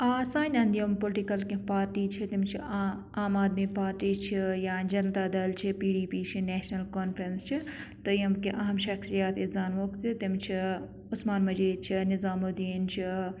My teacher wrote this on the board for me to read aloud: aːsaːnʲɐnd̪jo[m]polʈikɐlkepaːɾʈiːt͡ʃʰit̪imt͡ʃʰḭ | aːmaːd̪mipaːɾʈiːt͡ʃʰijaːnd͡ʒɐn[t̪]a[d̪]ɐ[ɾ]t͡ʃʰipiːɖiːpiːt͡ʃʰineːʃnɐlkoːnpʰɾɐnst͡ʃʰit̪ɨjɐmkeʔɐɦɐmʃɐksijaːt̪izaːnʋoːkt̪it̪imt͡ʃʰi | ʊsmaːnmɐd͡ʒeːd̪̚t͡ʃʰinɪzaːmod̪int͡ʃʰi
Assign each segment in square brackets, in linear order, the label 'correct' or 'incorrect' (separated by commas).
correct, correct, correct, incorrect